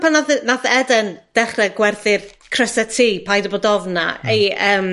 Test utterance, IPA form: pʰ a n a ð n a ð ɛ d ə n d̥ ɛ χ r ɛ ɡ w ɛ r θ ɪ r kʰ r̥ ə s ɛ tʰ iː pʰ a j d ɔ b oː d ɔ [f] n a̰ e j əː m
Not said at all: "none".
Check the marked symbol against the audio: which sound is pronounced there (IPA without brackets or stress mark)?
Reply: v